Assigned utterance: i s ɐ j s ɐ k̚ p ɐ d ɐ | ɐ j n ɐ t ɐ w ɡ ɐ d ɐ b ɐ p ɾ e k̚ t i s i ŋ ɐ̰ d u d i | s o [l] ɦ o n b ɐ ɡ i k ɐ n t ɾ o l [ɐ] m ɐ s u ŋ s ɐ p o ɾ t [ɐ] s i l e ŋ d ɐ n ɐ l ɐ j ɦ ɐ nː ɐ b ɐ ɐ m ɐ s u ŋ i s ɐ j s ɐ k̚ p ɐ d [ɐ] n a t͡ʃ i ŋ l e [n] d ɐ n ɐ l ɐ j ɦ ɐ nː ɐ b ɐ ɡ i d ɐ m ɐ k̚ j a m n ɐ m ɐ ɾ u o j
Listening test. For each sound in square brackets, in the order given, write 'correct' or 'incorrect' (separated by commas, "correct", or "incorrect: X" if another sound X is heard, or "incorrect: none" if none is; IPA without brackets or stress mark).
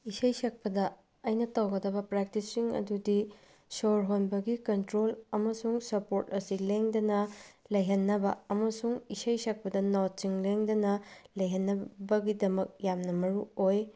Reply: incorrect: ɾ, correct, correct, correct, incorrect: ŋ